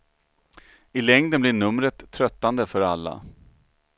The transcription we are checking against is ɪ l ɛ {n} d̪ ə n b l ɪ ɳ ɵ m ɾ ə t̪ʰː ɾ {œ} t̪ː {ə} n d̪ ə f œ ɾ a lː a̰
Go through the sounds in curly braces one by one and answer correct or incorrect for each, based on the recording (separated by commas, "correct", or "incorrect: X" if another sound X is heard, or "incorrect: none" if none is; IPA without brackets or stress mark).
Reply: incorrect: ŋ, correct, incorrect: a